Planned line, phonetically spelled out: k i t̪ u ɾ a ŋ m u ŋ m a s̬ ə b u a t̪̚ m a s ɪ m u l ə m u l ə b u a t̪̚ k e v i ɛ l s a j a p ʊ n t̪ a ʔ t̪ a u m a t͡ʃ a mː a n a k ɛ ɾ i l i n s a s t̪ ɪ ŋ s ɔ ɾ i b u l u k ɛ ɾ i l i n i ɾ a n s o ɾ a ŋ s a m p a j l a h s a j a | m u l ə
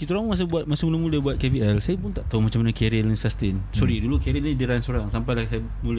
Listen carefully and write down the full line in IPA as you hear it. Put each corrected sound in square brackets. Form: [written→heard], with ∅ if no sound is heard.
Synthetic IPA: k i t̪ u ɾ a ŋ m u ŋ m a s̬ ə b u a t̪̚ m a s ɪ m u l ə m u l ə b u a t̪̚ k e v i ɛ l s a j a p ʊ n t̪ a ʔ t̪ a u m a t͡ʃ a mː a n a k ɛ ɾ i l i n s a s t̪ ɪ [ŋ→n] s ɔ ɾ i [b→d] u l u k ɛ ɾ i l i [n→d] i ɾ a n s o ɾ a ŋ s a m p a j l a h s a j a | m u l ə